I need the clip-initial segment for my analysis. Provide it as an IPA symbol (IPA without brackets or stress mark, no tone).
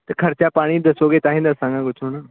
t̪